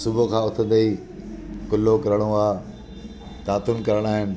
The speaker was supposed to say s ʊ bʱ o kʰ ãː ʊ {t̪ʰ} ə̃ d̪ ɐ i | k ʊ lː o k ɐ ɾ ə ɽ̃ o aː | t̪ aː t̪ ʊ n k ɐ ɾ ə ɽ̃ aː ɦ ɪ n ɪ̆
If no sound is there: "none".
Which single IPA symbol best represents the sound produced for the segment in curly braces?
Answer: t̪ʰ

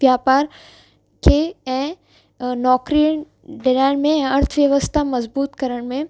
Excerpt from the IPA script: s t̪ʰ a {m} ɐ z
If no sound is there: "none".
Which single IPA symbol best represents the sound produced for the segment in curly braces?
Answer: m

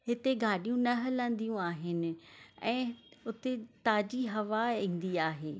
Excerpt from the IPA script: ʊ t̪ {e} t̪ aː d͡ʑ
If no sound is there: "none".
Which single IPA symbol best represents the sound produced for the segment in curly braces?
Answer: e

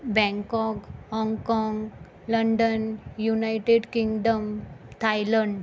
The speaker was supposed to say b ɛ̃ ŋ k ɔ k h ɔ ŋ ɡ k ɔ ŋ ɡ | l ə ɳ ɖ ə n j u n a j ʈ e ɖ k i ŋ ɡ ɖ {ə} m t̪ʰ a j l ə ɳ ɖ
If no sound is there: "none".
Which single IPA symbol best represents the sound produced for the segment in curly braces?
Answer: ə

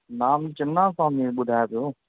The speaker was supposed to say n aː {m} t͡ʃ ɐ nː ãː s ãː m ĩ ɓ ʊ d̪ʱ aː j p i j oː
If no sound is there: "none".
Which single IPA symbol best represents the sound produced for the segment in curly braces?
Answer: m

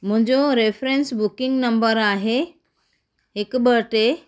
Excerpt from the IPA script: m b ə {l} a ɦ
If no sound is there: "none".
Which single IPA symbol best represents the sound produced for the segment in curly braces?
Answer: ɾ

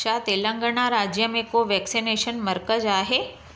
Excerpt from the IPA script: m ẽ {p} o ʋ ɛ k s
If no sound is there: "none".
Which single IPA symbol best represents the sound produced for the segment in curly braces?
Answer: k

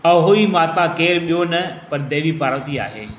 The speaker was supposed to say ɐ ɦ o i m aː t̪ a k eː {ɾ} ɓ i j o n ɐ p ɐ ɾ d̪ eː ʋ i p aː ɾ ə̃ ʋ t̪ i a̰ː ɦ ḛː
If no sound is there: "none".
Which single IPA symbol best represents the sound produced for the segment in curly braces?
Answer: ɾ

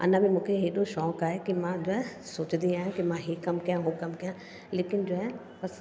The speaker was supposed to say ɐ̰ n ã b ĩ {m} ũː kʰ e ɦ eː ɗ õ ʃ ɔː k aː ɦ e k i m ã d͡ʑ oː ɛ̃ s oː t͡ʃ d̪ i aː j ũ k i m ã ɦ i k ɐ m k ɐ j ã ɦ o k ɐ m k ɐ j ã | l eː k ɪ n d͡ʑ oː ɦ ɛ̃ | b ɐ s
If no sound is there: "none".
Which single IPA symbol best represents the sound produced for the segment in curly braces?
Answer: m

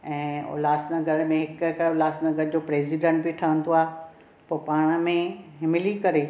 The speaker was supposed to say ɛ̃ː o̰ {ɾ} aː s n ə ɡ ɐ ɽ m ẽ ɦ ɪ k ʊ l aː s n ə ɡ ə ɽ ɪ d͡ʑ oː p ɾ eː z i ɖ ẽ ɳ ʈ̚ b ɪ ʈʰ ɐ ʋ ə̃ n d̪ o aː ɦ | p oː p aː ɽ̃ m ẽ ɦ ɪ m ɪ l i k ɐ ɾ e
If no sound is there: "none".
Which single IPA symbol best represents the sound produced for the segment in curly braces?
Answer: l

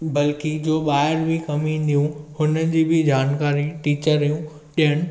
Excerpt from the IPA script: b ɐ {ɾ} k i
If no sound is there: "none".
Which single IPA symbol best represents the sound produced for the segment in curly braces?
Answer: l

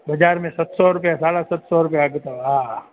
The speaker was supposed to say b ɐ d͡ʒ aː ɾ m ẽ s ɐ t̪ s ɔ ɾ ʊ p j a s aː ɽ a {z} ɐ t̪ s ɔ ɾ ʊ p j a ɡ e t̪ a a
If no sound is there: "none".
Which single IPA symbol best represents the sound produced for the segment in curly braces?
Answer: s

